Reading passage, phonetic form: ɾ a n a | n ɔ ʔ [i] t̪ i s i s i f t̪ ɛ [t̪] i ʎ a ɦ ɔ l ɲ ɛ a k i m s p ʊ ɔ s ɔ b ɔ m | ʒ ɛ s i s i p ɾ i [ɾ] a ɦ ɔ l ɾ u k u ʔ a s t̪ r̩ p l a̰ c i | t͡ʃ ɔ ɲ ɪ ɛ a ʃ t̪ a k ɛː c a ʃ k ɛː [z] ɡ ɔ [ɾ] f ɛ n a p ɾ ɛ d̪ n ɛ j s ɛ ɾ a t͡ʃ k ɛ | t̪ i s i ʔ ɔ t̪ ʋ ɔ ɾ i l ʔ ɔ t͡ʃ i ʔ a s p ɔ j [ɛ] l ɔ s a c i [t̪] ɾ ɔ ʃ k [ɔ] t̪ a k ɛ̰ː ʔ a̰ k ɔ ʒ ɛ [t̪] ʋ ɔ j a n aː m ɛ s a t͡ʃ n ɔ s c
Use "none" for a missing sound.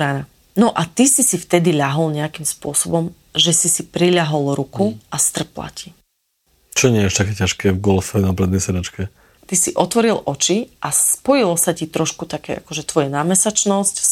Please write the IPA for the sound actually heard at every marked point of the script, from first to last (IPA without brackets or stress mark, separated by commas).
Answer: a, d̪, ʎ, v, l, i, t̪, u, t̪